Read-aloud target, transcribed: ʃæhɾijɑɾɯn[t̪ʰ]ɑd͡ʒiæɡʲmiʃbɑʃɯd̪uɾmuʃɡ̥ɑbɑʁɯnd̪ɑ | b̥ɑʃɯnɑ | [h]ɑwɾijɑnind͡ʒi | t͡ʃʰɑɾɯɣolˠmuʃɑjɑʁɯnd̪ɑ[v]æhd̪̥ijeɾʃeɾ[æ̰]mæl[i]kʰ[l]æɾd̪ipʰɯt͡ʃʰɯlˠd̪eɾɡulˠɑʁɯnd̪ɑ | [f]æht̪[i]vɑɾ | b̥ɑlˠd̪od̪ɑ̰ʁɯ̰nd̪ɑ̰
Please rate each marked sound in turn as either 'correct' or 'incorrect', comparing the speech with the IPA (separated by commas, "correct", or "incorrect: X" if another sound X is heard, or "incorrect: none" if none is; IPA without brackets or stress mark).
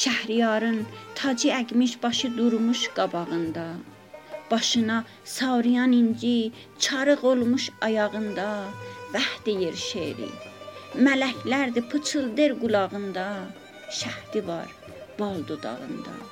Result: correct, incorrect: s, correct, incorrect: ḭ, incorrect: æ, correct, incorrect: ʃ, correct